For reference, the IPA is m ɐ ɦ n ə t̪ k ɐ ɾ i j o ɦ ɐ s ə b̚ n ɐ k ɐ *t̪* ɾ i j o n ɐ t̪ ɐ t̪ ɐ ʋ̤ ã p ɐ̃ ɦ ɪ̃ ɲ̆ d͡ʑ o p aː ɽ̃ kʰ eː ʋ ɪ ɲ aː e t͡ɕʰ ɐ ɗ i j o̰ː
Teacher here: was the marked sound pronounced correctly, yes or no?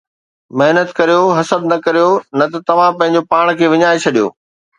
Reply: no